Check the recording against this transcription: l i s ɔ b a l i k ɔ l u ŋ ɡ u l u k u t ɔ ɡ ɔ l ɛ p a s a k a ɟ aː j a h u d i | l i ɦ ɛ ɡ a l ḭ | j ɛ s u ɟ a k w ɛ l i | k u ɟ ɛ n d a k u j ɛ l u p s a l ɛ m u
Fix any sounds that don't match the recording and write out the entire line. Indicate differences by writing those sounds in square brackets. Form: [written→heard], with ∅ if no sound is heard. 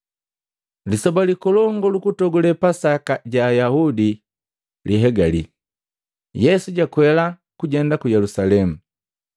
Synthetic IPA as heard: l i s ɔ b a l i k ɔ l [u→ɔ] ŋ ɡ [u→ɔ] l u k u t ɔ ɡ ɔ l ɛ p a s a k a ɟ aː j a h u d i | l i ɦ ɛ ɡ a l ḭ | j ɛ s u ɟ a k w ɛ l [i→a] | k u ɟ ɛ n d a k u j ɛ l u [p→∅] s a l ɛ m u